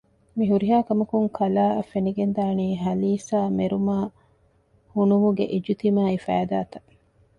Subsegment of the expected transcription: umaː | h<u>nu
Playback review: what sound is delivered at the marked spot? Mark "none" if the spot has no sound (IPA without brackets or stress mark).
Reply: u